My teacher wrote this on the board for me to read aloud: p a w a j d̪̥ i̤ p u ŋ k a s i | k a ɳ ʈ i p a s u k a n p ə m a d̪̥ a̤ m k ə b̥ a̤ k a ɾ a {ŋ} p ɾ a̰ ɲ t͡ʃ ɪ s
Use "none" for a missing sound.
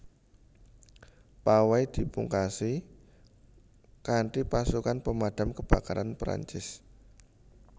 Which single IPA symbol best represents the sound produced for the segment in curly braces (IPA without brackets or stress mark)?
n